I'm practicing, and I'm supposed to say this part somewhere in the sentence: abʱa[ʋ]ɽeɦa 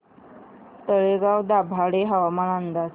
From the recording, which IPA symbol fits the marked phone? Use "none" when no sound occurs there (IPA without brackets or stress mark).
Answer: none